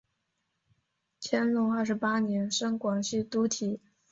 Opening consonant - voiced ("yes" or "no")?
no